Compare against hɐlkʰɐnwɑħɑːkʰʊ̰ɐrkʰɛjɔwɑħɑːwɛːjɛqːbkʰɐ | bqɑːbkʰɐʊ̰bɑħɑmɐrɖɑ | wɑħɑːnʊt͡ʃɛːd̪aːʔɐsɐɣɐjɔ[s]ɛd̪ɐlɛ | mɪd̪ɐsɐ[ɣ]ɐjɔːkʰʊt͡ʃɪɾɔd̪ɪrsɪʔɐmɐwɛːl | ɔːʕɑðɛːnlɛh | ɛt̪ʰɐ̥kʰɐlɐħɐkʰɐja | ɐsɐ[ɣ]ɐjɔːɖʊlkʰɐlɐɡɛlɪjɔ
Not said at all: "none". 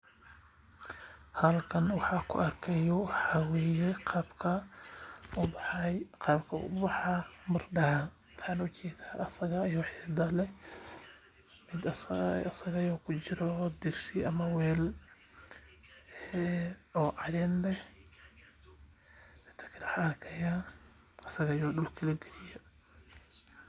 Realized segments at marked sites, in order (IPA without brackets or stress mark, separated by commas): ħ, ɣ, ɣ